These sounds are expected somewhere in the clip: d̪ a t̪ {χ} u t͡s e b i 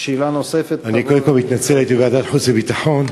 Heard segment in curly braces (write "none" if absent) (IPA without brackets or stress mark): ħ